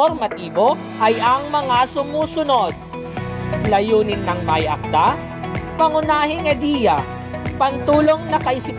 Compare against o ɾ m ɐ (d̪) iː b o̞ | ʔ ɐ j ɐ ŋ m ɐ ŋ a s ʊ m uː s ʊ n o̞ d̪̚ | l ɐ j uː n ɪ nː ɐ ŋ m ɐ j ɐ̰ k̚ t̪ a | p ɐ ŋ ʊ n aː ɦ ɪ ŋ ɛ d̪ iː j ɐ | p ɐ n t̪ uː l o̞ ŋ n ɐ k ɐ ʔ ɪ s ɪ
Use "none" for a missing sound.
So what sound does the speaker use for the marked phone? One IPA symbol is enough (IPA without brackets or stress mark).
t̪